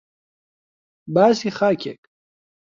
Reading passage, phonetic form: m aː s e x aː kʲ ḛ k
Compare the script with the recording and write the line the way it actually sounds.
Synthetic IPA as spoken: b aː s i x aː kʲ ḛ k

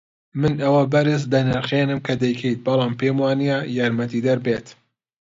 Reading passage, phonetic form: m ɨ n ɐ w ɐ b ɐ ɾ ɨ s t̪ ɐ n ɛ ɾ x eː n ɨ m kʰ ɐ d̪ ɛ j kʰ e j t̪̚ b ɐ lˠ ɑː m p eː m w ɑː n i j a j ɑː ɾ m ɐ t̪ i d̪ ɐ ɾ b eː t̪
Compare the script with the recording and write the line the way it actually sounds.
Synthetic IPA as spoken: m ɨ n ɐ w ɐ b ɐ ɾ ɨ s d̪ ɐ n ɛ ɾ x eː n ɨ m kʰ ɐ d̪ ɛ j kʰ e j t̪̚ b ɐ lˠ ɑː m p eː m w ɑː n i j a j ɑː ɾ m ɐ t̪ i d̪ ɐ ɾ b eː t̪

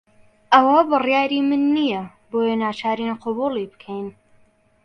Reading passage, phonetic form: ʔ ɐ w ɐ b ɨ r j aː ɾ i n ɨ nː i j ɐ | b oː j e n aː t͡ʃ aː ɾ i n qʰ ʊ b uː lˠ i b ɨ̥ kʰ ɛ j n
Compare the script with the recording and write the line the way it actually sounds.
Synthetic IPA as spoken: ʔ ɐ w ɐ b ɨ r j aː ɾ i m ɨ nː i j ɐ | b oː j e n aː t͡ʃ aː ɾ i n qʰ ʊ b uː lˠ i b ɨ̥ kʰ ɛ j n

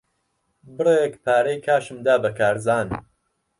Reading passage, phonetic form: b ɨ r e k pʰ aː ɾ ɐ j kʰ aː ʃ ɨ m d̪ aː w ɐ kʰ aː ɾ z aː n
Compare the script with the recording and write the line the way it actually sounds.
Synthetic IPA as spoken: b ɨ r e k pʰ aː ɾ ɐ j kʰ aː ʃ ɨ m d̪ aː b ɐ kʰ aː ɾ z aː n

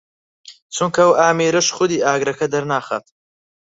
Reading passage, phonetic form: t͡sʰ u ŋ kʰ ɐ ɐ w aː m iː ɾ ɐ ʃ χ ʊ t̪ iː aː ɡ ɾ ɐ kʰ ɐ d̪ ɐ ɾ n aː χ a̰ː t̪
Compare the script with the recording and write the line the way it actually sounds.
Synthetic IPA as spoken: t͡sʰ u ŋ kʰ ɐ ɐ w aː m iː ɾ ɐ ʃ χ ʊ d̪ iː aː ɡ ɾ ɐ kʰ ɐ d̪ ɐ ɾ n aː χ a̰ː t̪

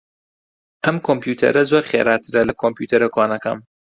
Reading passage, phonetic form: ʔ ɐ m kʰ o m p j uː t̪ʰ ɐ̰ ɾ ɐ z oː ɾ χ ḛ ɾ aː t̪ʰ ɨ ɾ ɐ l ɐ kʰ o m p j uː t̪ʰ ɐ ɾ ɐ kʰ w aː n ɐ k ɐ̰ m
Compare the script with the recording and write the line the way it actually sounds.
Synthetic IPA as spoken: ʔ ɐ m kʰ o m p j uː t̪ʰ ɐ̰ ɾ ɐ z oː ɾ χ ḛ ɾ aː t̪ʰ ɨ ɾ ɐ l ɐ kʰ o m p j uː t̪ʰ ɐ ɾ ɐ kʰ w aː n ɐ k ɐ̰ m

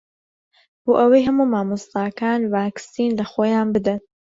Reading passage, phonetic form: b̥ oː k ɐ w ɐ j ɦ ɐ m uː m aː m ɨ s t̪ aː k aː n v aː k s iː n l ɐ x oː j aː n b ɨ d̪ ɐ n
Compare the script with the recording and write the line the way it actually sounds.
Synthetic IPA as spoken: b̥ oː ʔ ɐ w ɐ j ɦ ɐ m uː m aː m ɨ s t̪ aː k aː n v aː k s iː n l ɐ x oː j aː n b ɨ d̪ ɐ n

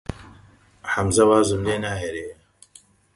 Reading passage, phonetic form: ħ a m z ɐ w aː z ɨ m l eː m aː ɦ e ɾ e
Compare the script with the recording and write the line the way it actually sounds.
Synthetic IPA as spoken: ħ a m z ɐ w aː z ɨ m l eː n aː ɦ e ɾ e

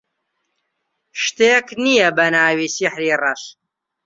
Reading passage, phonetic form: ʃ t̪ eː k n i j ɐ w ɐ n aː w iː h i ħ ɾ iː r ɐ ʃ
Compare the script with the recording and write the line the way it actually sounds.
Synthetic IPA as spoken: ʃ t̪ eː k n i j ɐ b ɐ n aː w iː s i ħ ɾ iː r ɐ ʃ

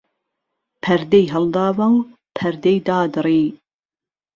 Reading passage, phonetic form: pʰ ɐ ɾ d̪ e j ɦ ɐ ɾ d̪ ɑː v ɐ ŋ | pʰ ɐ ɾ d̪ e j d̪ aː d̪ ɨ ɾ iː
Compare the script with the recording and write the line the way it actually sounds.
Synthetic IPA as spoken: pʰ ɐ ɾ d̪ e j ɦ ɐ l d̪ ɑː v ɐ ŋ | pʰ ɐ ɾ d̪ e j d̪ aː d̪ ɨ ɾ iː

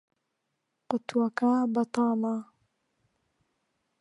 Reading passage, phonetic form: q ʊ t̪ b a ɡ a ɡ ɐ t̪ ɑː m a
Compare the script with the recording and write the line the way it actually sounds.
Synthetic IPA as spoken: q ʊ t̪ w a k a b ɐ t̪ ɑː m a

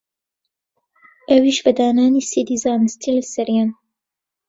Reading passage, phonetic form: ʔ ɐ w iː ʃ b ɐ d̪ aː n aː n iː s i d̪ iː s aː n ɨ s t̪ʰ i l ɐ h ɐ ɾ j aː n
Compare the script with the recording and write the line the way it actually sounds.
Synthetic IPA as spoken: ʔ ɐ w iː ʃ b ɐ d̪ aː n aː n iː s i d̪ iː z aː n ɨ s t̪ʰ i l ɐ s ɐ ɾ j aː n

